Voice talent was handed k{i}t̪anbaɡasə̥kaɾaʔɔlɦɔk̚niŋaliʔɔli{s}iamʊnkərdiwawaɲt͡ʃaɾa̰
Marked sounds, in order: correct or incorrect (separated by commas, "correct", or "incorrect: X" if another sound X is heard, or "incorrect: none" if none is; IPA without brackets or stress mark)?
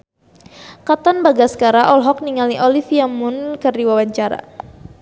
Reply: incorrect: a, incorrect: f